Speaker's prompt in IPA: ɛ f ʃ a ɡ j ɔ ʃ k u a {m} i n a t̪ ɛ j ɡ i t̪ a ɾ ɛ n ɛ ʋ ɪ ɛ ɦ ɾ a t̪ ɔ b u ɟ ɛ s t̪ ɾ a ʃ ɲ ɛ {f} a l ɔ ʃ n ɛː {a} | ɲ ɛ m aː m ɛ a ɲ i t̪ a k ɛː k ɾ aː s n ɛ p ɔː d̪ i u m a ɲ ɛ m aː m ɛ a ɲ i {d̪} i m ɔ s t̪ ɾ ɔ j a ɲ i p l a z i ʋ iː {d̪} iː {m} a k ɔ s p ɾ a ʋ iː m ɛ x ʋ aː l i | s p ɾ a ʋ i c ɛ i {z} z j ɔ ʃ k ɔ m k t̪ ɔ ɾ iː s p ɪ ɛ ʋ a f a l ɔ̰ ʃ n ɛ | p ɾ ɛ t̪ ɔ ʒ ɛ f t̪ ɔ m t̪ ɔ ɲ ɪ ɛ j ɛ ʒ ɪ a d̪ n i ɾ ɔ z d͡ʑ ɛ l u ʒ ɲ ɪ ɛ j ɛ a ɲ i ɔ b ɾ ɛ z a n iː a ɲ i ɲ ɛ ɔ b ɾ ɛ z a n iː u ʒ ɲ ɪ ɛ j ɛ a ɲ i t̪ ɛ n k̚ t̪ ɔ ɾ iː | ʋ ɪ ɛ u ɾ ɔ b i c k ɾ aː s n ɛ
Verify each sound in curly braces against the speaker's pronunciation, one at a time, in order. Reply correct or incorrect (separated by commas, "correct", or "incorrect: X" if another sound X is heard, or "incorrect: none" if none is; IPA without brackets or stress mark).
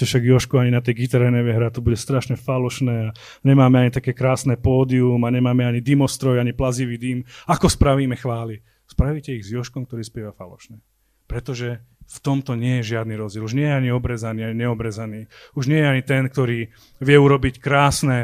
incorrect: ɲ, correct, correct, correct, correct, correct, incorrect: ɣ